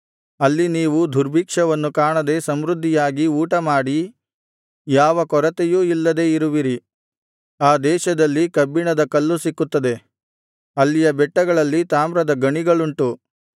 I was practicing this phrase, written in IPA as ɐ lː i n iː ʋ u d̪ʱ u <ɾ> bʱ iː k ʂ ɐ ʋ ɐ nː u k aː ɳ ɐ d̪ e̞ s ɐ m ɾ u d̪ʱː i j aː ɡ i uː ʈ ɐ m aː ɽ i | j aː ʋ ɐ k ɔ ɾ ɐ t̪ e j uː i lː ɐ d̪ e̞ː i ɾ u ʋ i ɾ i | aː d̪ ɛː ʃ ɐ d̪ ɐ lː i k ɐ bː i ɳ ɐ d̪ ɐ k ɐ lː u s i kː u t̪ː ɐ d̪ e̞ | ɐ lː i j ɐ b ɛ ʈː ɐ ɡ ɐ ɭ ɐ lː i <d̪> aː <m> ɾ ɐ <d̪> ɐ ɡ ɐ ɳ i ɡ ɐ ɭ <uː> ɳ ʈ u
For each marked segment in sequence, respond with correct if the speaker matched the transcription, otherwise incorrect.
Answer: correct, incorrect: t̪, correct, correct, incorrect: u

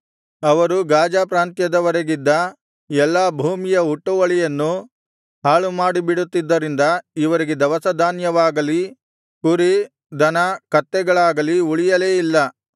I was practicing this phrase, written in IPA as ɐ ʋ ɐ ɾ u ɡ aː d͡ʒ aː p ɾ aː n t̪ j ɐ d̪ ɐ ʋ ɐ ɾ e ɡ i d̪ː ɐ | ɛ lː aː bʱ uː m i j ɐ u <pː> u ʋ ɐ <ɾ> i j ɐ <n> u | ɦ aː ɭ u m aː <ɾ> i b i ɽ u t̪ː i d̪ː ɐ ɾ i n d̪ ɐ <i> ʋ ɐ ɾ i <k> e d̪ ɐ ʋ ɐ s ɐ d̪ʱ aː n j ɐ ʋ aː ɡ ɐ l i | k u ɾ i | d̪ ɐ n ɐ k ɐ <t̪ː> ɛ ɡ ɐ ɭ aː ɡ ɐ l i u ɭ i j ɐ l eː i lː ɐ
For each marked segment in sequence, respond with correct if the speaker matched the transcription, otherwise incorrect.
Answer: incorrect: ʈː, incorrect: ɭ, incorrect: nː, incorrect: ɽ, correct, incorrect: ɡ, correct

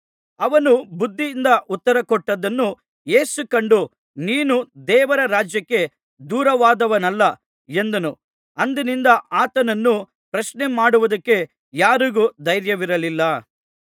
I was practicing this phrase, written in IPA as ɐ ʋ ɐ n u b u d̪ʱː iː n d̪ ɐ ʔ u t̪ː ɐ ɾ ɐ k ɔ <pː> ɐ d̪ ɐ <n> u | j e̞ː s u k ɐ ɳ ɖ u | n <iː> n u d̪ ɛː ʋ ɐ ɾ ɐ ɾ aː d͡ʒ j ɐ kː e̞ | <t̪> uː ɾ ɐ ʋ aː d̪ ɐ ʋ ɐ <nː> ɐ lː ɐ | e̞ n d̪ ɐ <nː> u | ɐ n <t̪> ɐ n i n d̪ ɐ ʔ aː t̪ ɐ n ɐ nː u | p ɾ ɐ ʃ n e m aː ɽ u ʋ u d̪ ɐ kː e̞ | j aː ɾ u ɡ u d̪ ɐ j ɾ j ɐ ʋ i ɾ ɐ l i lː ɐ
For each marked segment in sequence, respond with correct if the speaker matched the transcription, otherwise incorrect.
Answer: incorrect: ʈː, incorrect: nː, correct, incorrect: d̪, incorrect: n, incorrect: n, incorrect: d̪

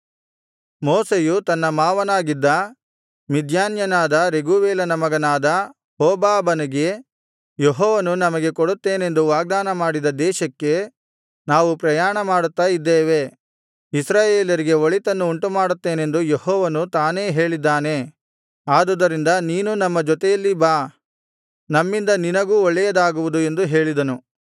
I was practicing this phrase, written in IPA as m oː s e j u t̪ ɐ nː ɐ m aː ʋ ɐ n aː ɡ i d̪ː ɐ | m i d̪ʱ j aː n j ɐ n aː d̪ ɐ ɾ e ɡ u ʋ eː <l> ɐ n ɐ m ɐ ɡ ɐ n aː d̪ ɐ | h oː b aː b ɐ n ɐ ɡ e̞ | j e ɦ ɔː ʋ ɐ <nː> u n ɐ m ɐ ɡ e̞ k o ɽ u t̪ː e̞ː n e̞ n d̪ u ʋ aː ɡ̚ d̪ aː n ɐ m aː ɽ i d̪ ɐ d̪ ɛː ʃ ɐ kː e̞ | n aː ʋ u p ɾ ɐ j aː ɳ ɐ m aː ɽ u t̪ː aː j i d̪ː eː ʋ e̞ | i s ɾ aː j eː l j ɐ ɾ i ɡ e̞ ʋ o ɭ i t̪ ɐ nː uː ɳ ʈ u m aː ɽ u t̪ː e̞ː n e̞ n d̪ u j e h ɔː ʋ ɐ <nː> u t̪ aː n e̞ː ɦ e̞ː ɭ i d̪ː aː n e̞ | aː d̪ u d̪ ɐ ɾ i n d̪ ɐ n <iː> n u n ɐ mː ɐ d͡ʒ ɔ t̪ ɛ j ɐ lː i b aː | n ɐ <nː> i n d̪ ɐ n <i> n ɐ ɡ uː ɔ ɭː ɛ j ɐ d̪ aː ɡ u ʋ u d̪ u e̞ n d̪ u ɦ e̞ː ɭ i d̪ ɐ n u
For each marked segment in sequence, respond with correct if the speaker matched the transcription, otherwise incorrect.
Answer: correct, incorrect: n, incorrect: n, correct, incorrect: mː, correct

